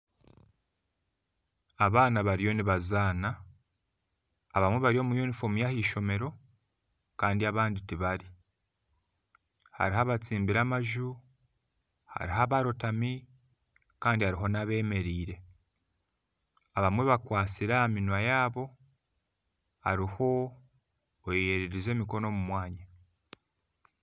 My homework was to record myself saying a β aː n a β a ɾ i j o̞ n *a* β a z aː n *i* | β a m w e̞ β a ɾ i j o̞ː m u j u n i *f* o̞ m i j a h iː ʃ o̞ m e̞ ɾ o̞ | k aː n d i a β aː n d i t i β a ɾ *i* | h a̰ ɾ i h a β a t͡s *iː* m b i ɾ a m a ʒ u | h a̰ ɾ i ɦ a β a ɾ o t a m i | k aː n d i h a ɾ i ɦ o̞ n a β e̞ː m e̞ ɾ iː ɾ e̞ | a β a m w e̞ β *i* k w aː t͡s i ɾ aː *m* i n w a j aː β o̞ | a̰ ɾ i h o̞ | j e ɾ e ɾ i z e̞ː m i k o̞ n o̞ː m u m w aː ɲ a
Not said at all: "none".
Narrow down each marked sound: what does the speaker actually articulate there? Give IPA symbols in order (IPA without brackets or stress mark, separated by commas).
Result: i, a, f, i, iː, a, m